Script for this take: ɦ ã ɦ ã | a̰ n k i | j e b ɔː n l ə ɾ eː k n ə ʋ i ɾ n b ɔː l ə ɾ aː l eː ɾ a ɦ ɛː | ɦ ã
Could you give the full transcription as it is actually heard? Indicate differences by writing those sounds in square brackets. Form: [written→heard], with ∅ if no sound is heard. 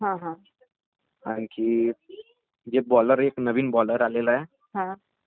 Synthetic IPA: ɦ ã ɦ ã | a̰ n k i | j e b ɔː [n→∅] l ə ɾ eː k n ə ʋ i [ɾ→∅] n b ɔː l ə ɾ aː l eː [ɾ→l] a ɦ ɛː | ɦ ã